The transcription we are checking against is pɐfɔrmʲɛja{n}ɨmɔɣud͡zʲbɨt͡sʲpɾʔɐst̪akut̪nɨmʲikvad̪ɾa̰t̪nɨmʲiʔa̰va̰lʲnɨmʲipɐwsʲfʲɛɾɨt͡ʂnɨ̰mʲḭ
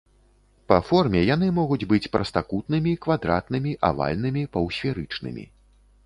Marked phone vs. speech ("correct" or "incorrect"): correct